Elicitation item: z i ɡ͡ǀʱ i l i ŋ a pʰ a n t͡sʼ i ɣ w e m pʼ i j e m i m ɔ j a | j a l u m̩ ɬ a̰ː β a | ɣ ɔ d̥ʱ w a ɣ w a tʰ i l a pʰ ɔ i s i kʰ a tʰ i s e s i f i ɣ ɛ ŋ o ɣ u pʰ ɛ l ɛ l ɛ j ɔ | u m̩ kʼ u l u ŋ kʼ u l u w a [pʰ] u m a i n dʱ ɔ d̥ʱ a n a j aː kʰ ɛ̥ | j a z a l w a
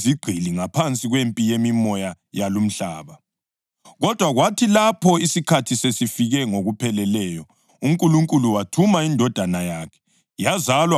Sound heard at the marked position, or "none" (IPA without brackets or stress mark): tʰ